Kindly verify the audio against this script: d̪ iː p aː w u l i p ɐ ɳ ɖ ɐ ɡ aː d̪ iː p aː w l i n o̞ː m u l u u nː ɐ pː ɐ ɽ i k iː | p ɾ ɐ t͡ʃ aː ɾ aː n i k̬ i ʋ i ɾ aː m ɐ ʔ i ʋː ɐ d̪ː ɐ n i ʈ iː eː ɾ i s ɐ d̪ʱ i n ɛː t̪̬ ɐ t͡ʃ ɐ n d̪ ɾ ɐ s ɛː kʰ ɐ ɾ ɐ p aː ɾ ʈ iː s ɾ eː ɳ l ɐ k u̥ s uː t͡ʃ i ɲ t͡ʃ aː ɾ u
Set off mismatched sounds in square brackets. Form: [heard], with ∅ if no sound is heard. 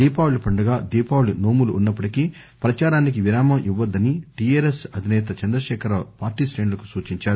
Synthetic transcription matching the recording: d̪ iː p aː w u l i p ɐ ɳ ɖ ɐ ɡ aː d̪ iː p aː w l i n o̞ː m u l u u nː ɐ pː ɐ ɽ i k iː | p ɾ ɐ t͡ʃ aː ɾ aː n i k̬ i ʋ i ɾ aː m ɐ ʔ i ʋː ɐ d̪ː ɐ n i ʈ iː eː ɾ [e] s ɐ d̪ʱ i n ɛː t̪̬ ɐ t͡ʃ ɐ n d̪ ɾ ɐ [ʃ] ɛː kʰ ɐ ɾ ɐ p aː ɾ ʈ iː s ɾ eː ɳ l ɐ k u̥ s uː t͡ʃ i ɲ t͡ʃ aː ɾ u